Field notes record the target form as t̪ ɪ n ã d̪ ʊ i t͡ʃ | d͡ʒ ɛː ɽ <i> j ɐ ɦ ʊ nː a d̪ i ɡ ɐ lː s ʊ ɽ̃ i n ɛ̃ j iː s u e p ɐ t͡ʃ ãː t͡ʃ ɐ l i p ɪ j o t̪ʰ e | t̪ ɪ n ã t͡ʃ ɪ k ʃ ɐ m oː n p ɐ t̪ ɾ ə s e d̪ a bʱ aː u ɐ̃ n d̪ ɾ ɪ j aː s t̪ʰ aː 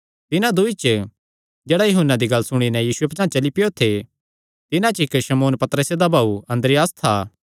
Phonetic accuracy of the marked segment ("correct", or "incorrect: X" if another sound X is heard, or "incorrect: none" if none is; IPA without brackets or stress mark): incorrect: a